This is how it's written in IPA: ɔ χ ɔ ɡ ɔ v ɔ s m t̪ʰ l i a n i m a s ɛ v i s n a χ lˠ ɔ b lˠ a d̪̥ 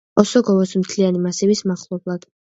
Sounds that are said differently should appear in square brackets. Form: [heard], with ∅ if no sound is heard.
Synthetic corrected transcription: ɔ [s] ɔ ɡ ɔ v ɔ s m t̪ʰ l i a n i m a s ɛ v i s [m] a χ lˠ ɔ b lˠ a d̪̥